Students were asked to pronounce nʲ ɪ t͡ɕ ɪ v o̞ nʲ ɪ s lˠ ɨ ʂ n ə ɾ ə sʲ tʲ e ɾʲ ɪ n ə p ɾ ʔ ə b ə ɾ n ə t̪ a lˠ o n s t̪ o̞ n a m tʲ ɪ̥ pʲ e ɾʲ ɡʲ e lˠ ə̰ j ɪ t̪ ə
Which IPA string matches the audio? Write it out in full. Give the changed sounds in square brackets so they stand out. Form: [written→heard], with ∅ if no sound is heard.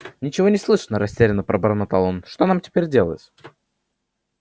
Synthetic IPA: nʲ ɪ t͡ɕ ɪ v o̞ nʲ ɪ s lˠ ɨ ʂ n ə ɾ [ə→ɐ] sʲ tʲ e ɾʲ ɪ n ə p ɾ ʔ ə b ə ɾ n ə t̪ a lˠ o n [s→ʂ] t̪ o̞ n a m tʲ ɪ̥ pʲ e ɾʲ [ɡʲ→dʲ] e lˠ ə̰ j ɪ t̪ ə